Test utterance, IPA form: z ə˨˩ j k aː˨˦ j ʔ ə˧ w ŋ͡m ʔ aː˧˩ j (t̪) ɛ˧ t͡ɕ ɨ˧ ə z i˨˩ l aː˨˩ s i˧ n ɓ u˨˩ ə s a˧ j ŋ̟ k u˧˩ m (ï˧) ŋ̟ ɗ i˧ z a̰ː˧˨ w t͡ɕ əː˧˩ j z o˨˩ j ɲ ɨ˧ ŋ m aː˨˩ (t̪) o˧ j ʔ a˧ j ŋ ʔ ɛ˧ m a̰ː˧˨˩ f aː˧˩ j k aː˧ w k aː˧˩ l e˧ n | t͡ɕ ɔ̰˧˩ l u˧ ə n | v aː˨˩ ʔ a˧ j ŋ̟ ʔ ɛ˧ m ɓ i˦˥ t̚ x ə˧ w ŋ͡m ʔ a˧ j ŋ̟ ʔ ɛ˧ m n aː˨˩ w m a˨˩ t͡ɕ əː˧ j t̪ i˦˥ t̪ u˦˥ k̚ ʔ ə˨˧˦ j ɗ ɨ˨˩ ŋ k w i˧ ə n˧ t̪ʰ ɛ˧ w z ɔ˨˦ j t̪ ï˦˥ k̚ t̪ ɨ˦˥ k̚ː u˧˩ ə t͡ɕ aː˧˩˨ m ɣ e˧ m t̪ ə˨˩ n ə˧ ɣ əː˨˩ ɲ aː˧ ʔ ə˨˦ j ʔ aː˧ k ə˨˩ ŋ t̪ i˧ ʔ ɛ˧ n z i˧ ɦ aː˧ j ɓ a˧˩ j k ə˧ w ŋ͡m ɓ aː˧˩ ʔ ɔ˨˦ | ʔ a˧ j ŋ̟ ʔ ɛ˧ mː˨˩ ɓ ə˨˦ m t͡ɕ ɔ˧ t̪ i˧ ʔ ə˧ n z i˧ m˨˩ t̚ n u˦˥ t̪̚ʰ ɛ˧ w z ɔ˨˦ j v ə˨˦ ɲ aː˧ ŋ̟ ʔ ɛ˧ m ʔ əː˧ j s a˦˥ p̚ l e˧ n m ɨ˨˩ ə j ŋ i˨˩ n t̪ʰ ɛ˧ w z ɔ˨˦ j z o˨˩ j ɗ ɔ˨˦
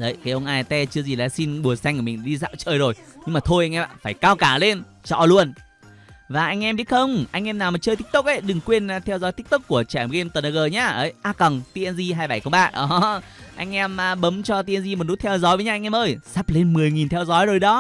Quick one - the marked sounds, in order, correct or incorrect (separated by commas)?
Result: correct, incorrect, incorrect